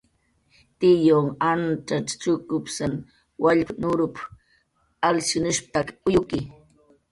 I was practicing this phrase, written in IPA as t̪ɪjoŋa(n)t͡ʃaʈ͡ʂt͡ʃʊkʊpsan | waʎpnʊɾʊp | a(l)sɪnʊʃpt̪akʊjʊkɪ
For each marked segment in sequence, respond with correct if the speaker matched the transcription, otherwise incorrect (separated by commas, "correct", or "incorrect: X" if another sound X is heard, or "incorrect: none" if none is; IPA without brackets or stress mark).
correct, correct